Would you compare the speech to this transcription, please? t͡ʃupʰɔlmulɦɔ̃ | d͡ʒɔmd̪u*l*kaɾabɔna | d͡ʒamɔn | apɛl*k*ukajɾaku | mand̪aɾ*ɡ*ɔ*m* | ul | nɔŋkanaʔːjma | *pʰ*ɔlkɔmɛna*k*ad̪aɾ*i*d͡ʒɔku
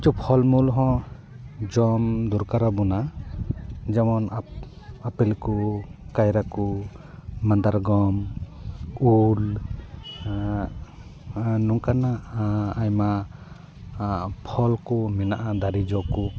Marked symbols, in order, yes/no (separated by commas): no, yes, yes, yes, yes, no, yes